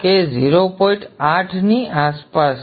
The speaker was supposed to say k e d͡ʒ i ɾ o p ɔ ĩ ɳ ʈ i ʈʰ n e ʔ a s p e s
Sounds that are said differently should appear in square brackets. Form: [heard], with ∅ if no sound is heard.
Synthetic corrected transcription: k e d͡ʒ i ɾ o p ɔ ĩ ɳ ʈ [a] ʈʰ n [i] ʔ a s p [a] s

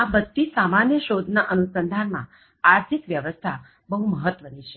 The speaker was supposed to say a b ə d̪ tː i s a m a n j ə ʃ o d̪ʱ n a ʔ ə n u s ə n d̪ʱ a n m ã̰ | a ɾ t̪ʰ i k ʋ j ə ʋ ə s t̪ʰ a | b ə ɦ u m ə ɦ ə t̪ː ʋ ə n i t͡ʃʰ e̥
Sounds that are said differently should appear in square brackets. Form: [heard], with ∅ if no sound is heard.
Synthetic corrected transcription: a b ə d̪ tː i s a m a n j ə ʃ o d̪ʱ n a ʔ ə n u s ə n d̪ʱ a n m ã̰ | a ɾ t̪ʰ i k ʋ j ə ʋ ə s t̪ʰ a | b ə ɦ u m ə ɦ ə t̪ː ʋ ə n i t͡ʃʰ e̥

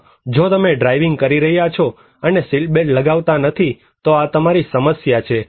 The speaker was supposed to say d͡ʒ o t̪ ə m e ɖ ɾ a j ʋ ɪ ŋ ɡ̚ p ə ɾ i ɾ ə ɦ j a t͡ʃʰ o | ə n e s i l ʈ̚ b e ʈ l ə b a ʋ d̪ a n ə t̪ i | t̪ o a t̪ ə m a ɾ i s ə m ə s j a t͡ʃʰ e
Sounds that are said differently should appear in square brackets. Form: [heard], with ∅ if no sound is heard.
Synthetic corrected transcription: d͡ʒ o t̪ ə m e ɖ ɾ a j ʋ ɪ ŋ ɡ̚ [k] ə ɾ i ɾ ə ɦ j a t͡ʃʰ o | ə n e s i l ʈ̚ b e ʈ l ə [ɡ] a ʋ [t̪] a n ə [t̪ʰ] i | t̪ o a t̪ ə m a ɾ i s ə m ə s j a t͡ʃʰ e

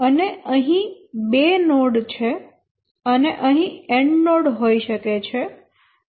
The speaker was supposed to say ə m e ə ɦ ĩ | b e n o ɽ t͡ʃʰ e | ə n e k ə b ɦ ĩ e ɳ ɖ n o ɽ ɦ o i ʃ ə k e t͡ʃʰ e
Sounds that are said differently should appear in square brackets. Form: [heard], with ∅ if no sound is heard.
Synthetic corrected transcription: ə [n] e ə ɦ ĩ | b e n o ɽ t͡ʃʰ e | ə n e [ʔ] ə [∅] ɦ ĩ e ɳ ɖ n o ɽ ɦ o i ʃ ə k e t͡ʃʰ e

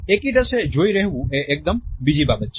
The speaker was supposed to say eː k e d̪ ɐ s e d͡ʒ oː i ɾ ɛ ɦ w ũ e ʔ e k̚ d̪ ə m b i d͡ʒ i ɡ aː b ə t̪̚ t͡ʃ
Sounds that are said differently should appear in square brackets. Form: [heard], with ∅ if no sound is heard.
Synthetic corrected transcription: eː k [i] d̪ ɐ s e d͡ʒ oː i ɾ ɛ ɦ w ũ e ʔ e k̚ d̪ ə m b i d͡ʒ i [b] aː b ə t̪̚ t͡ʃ

